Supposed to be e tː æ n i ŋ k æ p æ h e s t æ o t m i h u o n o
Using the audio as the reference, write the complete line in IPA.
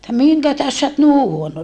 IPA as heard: e tː æ m i ŋ k æ t æ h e s s æ o t n i h u o n o

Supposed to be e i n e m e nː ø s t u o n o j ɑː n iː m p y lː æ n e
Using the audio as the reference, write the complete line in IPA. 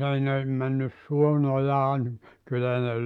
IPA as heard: e i n e m æ nː y s s u o n o j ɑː n i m k y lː æ n e

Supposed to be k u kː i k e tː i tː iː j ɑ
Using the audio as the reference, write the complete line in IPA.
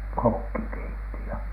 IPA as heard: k o kː i k e i tː i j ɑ

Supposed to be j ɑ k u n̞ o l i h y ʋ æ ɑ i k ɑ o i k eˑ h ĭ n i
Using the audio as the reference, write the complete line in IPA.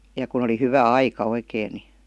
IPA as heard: j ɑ k u n̞ o l i h y ʋ æ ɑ i k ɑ o i k eˑ ĭ n i

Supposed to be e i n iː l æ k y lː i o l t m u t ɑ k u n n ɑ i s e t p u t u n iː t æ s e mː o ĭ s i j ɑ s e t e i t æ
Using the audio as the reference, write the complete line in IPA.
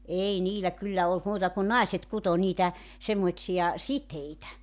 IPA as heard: e i n iː l æ k y lː æ o l t m uː t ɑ k u n n ɑ i s e t k u t o n iː t æ s e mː o ĭ s i j ɑ s i t e i t æ

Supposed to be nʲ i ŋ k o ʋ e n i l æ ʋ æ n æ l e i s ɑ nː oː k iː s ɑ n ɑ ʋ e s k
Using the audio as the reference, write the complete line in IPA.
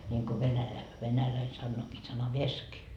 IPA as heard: nʲ i ŋ k o ʋ e n æ l æ ʋ e n æ l æ i s ɑ nː oː k iː s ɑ n ɑ ʋ e s k

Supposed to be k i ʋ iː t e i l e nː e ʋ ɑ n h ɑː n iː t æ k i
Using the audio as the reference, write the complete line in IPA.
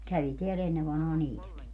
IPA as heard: k æ ʋ i t e æ l e nː e ʋ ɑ n h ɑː n iː t æ k i

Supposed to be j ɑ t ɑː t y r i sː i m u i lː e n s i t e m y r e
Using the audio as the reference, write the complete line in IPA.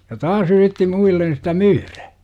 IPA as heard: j ɑ t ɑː s y r i tː i m u i lː e n s i t æ m yː r æ

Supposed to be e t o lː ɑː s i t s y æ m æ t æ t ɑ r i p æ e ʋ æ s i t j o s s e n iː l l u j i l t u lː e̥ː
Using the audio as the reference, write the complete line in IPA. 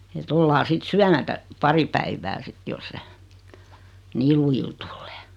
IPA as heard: e t o lː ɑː s i t s y æ m æ t æ p ɑ r i p æ i ʋ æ s i t j o s s e n iː l l u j i l t u lː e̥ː

